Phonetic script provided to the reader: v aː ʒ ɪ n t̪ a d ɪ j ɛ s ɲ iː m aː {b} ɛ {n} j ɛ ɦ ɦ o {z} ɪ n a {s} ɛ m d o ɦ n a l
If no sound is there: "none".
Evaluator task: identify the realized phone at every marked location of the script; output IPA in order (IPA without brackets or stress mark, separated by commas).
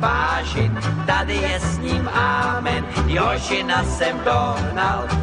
m, n, ʒ, s